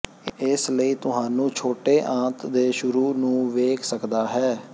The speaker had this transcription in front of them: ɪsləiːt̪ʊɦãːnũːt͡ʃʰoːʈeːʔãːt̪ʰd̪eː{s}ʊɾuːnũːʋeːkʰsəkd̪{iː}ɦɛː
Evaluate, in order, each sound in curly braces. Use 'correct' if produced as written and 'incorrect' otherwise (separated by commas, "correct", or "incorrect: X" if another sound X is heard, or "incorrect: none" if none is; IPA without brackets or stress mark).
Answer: incorrect: ʃ, incorrect: aː